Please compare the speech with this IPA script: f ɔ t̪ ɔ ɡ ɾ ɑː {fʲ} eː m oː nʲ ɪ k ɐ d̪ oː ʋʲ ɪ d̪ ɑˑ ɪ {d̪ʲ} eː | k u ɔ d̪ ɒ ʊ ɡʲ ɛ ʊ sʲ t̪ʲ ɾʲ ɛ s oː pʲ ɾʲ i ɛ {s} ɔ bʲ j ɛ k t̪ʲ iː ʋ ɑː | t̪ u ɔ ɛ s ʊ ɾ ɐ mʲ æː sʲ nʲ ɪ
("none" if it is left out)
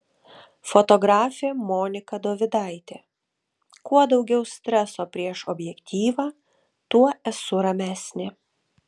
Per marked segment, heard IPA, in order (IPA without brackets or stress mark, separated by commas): fʲ, t̪ʲ, ʃ